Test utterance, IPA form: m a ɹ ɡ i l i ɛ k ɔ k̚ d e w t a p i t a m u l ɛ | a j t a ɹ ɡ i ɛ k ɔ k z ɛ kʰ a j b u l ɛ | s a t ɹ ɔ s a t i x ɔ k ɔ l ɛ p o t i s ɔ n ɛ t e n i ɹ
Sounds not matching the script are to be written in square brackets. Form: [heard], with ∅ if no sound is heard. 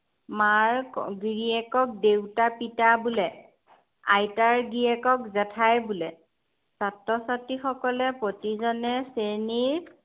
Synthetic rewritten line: m a ɹ ɡ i [ɹ] i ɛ k ɔ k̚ d e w t a p i t a [b] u l ɛ | a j t a ɹ ɡ i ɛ k ɔ k z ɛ [tʰ] a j b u l ɛ | s a t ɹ ɔ s a t i x ɔ k ɔ l ɛ p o t i [z] ɔ n ɛ [s] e n i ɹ